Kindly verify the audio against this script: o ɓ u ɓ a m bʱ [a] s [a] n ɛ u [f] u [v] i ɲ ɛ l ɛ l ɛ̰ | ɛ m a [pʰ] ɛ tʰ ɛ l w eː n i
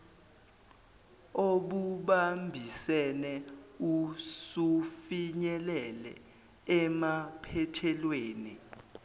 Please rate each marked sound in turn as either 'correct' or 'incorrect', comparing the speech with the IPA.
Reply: incorrect: i, incorrect: ɛ, incorrect: s, incorrect: f, correct

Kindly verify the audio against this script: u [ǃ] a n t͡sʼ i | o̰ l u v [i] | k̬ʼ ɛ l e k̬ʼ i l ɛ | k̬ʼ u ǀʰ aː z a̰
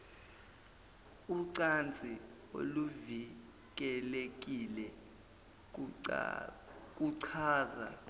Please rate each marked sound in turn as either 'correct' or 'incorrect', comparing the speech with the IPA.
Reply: incorrect: ǀ, correct

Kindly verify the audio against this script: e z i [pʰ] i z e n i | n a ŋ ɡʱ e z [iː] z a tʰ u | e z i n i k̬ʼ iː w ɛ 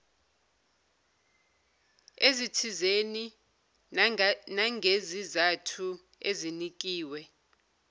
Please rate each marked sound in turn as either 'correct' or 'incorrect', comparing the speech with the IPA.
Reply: incorrect: tʰ, incorrect: i

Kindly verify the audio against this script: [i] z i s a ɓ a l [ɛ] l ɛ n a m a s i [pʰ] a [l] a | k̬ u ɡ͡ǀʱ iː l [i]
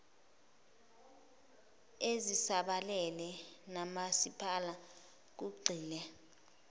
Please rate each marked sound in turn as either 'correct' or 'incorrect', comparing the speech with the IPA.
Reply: incorrect: e, correct, correct, correct, incorrect: ɛ

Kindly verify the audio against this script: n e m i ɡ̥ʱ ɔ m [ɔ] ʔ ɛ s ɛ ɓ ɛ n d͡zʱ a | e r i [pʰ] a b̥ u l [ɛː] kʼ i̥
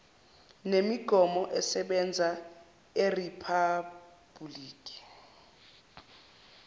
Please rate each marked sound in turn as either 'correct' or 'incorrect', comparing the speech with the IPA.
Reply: correct, correct, incorrect: iː

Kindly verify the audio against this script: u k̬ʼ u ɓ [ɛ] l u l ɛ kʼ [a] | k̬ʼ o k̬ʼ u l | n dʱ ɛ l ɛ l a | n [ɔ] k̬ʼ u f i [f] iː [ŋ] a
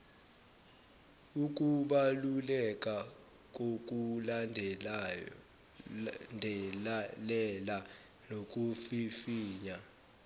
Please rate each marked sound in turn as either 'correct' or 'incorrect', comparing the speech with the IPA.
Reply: incorrect: a, correct, incorrect: o, correct, incorrect: ɲ

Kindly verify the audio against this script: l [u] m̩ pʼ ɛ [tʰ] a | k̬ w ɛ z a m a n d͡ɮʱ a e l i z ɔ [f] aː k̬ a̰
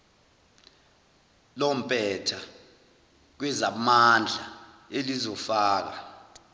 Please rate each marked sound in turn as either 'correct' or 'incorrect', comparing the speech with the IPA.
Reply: incorrect: ɔ, correct, correct

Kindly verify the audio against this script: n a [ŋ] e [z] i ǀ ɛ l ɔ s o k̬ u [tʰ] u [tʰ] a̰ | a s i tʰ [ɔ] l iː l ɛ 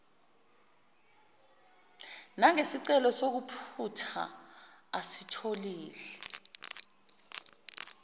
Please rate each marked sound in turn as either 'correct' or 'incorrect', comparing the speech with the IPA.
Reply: correct, incorrect: s, incorrect: pʰ, correct, incorrect: o

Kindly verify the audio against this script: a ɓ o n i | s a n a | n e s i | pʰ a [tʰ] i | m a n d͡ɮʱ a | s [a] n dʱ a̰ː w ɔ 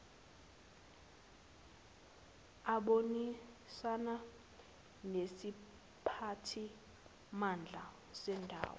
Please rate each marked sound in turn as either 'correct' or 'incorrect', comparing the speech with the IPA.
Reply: correct, incorrect: ɛ

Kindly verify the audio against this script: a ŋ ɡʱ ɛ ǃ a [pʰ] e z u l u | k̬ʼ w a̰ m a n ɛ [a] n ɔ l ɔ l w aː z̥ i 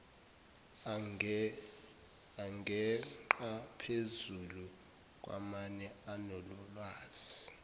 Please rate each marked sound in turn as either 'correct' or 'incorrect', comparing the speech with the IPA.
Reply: correct, correct

